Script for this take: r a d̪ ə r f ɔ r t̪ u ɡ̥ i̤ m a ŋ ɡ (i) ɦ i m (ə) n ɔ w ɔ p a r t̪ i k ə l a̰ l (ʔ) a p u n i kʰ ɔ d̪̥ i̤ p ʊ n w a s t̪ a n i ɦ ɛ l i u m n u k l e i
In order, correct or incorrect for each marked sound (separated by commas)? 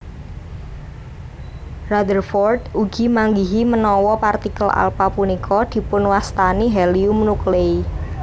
correct, correct, incorrect